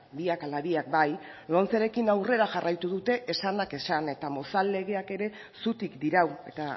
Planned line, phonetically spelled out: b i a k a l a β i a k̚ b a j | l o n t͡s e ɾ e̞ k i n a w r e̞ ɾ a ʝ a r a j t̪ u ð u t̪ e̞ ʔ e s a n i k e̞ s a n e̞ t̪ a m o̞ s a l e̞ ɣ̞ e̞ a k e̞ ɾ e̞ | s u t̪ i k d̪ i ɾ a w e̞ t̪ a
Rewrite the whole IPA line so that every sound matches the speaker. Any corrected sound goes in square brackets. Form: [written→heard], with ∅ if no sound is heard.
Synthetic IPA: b i a k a l a β i a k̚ b a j | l o n t͡s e ɾ e̞ k i n a w r e̞ ɾ a ʝ a r a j t̪ u ð u t̪ e̞ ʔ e s a n [i→a] k e̞ s a n e̞ t̪ a m o̞ s a l e̞ ɣ̞ e̞ a k e̞ ɾ e̞ | s u t̪ i k d̪ i ɾ a w e̞ t̪ a